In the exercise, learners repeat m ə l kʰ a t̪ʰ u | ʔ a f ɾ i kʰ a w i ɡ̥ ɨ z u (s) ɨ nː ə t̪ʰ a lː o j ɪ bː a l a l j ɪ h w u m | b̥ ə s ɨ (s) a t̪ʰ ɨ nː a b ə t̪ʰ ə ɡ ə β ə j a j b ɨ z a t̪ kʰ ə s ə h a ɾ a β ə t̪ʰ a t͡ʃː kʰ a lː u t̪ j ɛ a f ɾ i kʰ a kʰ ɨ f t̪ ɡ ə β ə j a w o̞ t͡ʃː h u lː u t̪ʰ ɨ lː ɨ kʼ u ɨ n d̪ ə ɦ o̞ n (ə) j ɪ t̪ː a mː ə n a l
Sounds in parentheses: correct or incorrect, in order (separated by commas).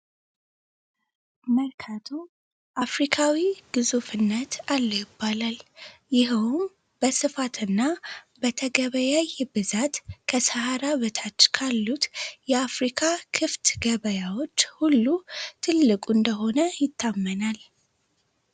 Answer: incorrect, incorrect, correct